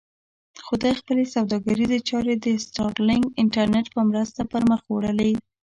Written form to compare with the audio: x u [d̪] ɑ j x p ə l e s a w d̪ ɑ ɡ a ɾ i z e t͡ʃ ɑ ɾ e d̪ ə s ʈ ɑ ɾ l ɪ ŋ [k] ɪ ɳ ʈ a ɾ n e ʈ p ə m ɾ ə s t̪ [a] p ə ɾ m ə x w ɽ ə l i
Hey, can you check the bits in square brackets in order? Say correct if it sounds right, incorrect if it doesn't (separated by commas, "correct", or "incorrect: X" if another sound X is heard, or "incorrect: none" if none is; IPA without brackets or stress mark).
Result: correct, incorrect: ɡ, correct